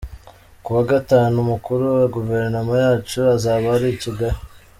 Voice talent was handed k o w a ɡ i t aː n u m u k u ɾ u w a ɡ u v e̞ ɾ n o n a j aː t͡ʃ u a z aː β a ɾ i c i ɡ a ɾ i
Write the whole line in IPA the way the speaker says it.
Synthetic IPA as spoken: k u w a ɡ a t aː n u m u k u ɾ u w a ɡ u v e̞ ɾ n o m a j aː t͡ʃ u a z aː β a ɾ i c i ɡ a ɾ i